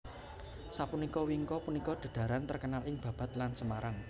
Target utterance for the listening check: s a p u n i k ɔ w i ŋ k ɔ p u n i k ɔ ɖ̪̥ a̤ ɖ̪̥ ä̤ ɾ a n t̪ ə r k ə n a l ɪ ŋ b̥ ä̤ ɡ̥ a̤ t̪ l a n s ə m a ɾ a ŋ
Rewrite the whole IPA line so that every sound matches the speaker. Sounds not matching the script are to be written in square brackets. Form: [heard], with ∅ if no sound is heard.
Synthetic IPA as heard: s a p u n i k ɔ w i ŋ k ɔ p u n i k ɔ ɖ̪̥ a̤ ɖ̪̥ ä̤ ɾ a n t̪ ə r k ə n a l ɪ ŋ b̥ ä̤ [b̥] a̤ t̪ l a n s ə m a ɾ a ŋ